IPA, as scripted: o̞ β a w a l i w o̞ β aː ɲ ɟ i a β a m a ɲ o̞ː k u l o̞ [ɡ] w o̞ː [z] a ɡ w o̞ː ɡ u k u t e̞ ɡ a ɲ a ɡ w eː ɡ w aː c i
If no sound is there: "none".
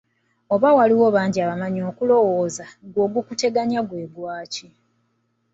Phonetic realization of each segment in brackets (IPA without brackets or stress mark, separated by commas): none, z